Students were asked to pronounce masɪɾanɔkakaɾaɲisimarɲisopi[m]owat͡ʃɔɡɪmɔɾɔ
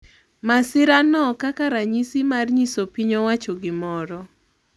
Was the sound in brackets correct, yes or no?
no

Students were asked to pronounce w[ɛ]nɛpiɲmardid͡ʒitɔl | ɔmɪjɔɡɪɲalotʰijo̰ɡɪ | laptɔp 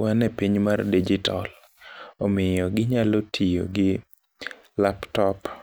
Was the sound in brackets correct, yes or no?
no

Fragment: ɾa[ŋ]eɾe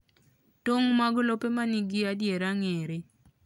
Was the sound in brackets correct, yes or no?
yes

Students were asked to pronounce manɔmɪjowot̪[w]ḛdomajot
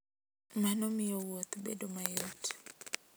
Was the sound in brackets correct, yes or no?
no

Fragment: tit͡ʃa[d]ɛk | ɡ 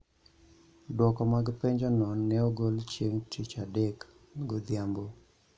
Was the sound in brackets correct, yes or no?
yes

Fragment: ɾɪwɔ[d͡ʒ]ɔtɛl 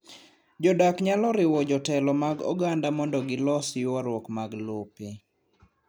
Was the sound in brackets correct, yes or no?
yes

